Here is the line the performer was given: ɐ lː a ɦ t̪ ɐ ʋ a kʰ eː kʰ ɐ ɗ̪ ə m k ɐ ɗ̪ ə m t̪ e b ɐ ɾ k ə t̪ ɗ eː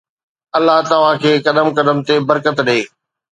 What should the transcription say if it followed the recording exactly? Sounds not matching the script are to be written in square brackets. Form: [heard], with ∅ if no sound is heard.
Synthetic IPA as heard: ɐ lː a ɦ t̪ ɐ ʋ a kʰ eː [k] ɐ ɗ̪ ə m k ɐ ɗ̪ ə m t̪ e b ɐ ɾ k ə t̪ ɗ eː